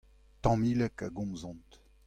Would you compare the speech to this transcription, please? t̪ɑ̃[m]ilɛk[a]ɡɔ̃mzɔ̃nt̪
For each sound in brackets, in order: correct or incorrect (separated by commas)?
correct, correct